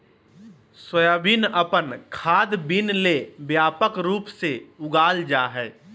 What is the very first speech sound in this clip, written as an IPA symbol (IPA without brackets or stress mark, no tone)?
s